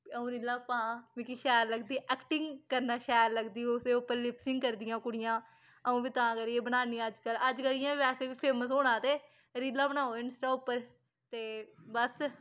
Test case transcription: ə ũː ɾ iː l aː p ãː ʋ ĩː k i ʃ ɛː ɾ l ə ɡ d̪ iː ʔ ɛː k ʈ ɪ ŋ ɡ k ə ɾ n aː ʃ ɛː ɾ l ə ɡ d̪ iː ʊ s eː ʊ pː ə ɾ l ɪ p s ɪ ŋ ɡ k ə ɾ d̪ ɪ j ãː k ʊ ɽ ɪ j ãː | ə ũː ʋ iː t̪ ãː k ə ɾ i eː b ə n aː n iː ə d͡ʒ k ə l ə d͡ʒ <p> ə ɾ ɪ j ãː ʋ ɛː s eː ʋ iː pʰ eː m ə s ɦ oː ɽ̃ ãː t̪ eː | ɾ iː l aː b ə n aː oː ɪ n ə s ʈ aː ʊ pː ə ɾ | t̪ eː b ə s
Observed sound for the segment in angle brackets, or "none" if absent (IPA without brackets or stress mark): k